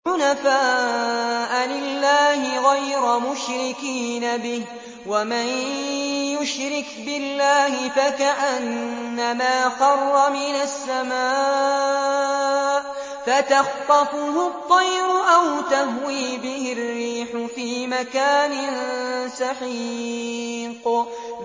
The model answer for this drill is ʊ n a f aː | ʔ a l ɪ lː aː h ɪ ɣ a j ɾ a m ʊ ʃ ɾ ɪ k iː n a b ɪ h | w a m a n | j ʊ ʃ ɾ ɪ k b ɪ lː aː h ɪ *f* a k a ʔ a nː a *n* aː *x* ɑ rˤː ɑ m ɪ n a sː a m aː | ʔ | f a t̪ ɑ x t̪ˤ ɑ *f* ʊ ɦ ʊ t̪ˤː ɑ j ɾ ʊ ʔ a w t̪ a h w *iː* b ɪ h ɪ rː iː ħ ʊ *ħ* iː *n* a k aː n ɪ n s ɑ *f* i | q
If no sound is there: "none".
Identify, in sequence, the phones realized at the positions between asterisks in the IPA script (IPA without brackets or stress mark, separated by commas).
f, m, x, f, iː, f, m, ħ